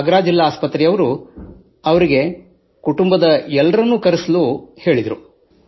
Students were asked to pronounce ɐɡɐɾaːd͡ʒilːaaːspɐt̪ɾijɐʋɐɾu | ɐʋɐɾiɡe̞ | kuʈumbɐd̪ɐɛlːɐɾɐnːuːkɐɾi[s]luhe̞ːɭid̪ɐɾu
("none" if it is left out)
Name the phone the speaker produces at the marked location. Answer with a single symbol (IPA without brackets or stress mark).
s